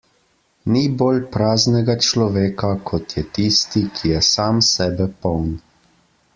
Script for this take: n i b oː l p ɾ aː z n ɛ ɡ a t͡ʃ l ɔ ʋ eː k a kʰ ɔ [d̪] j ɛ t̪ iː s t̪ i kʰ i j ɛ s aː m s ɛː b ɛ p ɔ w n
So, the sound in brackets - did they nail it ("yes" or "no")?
no